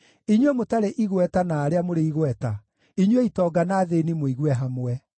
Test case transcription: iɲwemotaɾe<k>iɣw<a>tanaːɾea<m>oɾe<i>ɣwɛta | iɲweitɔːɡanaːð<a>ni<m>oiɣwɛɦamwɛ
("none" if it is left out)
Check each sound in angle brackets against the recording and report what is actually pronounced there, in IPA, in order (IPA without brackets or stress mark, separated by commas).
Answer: ʔ, ɛ, m, i, e, m